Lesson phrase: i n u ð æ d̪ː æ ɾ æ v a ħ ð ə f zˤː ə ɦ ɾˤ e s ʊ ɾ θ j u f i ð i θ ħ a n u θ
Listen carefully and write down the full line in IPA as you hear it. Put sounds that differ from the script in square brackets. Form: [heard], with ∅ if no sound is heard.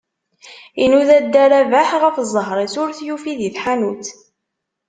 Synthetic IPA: i n u ð æ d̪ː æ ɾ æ v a ħ [ʁ] ə f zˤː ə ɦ ɾˤ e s ʊ ɾ θ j u f i ð i θ ħ a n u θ

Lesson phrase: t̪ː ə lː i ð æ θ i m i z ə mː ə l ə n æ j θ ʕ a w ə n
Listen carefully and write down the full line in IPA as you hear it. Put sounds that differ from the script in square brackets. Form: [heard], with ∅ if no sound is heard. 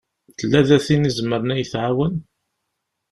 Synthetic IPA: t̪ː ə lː [æ] ð æ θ i [n] i z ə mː ə [ɾ] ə n æ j θ ʕ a w ə n

